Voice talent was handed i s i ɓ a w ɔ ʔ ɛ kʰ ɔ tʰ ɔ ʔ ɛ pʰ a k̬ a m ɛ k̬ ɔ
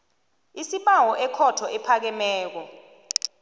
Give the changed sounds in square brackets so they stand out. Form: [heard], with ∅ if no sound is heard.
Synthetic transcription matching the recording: i s i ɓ a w ɔ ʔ ɛ kʰ ɔ tʰ ɔ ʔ ɛ pʰ a k̬ [ɛ] m [ɛː] k̬ ɔ